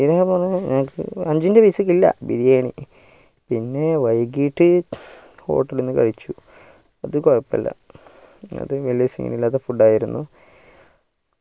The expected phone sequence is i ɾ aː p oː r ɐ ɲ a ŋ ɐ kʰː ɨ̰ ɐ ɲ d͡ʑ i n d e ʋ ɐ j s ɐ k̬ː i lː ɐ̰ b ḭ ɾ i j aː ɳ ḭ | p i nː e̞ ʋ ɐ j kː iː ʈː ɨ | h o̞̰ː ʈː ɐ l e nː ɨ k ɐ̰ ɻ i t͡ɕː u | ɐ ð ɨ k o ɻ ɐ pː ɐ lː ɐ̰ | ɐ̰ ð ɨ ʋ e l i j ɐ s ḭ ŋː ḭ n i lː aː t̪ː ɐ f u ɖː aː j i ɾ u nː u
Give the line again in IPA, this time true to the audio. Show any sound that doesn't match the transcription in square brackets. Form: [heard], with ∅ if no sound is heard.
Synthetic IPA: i ɾ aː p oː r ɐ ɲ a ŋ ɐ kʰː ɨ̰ ɐ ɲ d͡ʑ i n d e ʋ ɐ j s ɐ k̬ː i lː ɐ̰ b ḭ ɾ i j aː ɳ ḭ | p i nː e̞ ʋ ɐ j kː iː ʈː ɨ | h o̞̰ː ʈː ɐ l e nː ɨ k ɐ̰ ɻ i t͡ɕː u | ɐ ð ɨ k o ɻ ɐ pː ɐ lː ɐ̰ | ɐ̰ ð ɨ ʋ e l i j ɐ s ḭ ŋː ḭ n i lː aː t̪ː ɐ f u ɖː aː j i ɾ u nː u

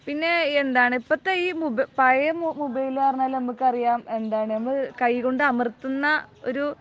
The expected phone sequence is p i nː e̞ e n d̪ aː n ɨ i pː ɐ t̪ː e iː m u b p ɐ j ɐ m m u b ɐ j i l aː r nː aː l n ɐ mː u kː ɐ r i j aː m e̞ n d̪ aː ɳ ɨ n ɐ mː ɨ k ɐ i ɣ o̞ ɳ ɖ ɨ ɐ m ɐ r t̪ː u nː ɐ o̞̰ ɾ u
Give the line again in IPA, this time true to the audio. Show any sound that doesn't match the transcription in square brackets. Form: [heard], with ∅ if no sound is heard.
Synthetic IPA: p i nː e̞ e n d̪ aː [ɳ] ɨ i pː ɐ t̪ː e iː m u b p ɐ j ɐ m m u b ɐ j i l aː r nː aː l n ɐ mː u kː ɐ r i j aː m e̞ n d̪ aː ɳ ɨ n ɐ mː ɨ k ɐ [j] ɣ o̞ ɳ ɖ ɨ ɐ m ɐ r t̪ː u nː ɐ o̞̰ ɾ u

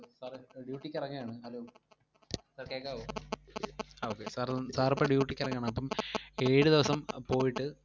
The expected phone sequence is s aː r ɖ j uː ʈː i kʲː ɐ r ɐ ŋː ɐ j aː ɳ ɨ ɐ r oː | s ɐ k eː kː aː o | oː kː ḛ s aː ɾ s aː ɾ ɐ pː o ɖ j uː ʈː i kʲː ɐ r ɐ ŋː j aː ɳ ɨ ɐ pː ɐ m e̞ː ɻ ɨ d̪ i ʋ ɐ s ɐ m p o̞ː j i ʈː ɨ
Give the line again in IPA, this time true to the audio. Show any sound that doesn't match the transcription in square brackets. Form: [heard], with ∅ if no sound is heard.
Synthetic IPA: s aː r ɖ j uː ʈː i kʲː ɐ r ɐ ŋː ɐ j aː ɳ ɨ ɐ [l] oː | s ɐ k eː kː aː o | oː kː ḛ s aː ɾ s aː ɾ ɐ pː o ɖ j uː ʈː i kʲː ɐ r ɐ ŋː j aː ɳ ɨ ɐ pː ɐ m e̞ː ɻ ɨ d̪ i ʋ ɐ s ɐ m p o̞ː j i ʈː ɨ

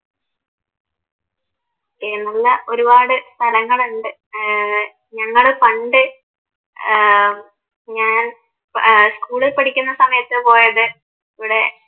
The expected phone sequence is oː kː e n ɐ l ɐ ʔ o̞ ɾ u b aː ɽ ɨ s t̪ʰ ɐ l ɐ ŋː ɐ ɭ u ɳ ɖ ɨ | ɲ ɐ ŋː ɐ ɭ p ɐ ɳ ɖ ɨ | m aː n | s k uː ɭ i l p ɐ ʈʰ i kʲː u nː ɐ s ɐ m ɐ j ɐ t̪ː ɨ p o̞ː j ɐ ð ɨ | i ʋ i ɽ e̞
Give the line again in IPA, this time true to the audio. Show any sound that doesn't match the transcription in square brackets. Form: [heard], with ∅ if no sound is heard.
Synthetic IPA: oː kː e n ɐ [lː] ɐ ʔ o̞ ɾ u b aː ɽ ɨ s t̪ʰ ɐ l ɐ ŋː ɐ ɭ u ɳ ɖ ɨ | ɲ ɐ ŋː ɐ ɭ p ɐ ɳ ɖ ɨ | [ɲ] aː n | s k uː ɭ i l p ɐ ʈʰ i kʲː u nː ɐ s ɐ m ɐ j ɐ t̪ː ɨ p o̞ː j ɐ ð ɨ | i ʋ i ɽ e̞

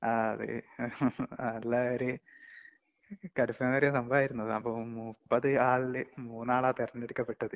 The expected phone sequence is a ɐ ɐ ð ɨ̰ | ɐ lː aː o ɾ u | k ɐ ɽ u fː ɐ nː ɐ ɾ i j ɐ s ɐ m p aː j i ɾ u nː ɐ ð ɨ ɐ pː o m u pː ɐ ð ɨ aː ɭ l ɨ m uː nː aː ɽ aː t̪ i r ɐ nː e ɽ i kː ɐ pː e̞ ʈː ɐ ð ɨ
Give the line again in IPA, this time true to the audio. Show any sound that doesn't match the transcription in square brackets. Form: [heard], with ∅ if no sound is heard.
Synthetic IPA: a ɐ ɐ ð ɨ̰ | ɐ lː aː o ɾ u | k ɐ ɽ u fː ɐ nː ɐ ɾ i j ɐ s ɐ m [b] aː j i ɾ u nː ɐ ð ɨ ɐ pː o m u pː ɐ ð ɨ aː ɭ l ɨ m uː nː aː [ɭ] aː t̪ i r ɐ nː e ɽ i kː ɐ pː e̞ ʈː ɐ ð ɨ

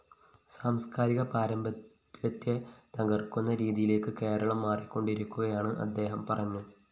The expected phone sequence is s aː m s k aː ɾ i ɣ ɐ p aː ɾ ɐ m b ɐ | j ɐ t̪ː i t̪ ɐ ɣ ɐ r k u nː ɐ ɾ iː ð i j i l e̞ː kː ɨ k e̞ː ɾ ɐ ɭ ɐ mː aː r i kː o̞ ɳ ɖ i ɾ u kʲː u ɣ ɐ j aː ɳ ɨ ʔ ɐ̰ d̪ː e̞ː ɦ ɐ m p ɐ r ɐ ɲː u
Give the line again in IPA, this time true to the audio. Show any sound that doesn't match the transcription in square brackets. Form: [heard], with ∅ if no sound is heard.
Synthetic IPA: s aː m s k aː ɾ i ɣ ɐ p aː ɾ ɐ m b ɐ | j ɐ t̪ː [e] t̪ ɐ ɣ ɐ r k u nː ɐ ɾ iː ð i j i l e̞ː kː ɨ k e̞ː ɾ ɐ ɭ ɐ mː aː r i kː o̞ ɳ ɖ i ɾ u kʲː u ɣ ɐ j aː ɳ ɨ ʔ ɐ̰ d̪ː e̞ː ɦ ɐ m p ɐ r ɐ ɲː u

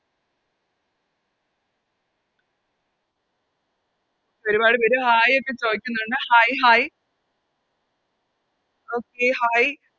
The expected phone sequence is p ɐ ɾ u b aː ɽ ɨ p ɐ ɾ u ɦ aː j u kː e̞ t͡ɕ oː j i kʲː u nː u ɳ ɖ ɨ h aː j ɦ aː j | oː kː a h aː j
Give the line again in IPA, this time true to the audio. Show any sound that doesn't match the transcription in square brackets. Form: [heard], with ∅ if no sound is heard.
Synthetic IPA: p ɐ ɾ u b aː ɽ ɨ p ɐ ɾ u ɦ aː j [o] kː e̞ t͡ɕ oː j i kʲː u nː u ɳ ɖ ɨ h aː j ɦ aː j | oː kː [e] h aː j

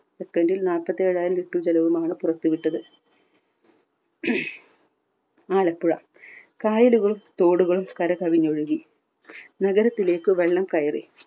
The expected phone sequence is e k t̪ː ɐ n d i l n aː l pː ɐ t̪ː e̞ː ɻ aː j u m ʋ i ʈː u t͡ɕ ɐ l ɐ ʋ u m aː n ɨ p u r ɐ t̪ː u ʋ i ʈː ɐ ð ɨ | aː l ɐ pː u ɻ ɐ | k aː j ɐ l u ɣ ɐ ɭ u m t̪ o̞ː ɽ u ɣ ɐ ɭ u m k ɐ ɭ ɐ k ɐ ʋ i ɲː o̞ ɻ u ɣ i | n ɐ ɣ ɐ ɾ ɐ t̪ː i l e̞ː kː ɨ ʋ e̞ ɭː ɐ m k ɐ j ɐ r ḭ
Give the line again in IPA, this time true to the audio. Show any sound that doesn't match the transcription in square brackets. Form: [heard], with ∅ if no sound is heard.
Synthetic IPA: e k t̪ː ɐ n d i l n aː l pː ɐ t̪ː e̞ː ɻ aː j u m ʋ i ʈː u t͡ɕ ɐ l ɐ ʋ u m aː [ɳ] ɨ p u r ɐ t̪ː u ʋ i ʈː ɐ ð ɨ | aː l ɐ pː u ɻ ɐ | k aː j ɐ l u ɣ ɐ ɭ u m t̪ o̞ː ɽ u ɣ ɐ ɭ u m k ɐ [ɾ] ɐ k ɐ ʋ i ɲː o̞ ɻ u ɣ i | n ɐ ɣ ɐ ɾ ɐ t̪ː i l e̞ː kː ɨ ʋ e̞ ɭː ɐ m k ɐ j ɐ r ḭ

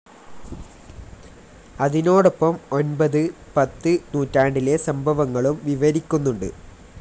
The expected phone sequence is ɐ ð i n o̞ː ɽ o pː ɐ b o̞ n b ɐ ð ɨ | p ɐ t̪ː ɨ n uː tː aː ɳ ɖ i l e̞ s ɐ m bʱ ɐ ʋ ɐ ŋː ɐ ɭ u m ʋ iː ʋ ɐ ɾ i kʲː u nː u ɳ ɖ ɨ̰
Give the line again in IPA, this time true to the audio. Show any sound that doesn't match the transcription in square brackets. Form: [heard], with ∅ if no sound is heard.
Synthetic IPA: ɐ ð i n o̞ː ɽ o pː ɐ [m] o̞ n b ɐ ð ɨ | p ɐ t̪ː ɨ n uː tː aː ɳ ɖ i l e̞ s ɐ m bʱ ɐ ʋ ɐ ŋː ɐ ɭ u m ʋ [i] ʋ ɐ ɾ i kʲː u nː u ɳ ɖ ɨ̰

